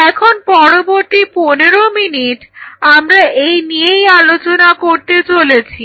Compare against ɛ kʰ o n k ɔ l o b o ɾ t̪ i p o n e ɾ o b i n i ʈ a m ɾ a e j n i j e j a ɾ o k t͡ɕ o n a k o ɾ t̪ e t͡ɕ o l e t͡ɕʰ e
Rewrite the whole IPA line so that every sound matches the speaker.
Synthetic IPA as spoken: ɛ kʰ o n p ɔ ɾ o b o ɾ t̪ i p o n e ɾ o m i n i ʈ a m ɾ a e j n i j e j a l o t͡ɕ o n a k o ɾ t̪ e t͡ɕ o l e t͡ɕʰ i

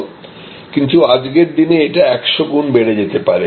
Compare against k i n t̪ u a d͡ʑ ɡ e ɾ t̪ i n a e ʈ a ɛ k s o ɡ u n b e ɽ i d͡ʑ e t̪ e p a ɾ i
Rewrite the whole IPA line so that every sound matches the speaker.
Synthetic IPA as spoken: k i n t̪ u a d͡ʑ ɡ e ɾ d̪ i n e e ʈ a ɛ k ʃ o ɡ u n b e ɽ e d͡ʑ e t̪ e p a ɾ e

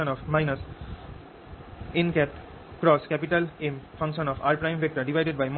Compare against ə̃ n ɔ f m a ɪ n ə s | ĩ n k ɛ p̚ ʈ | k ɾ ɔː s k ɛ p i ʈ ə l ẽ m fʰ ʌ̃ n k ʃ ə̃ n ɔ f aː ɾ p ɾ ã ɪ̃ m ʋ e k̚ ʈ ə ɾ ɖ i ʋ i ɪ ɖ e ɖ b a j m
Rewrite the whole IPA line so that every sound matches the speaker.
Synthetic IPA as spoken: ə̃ n ɔ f m a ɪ n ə s | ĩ n k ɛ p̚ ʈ | k ɾ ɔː s k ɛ p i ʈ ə l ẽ m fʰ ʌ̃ ŋ k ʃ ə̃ n ɔ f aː ɾ p ɾ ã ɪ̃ m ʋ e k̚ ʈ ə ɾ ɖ i ʋ a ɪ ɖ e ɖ b a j m

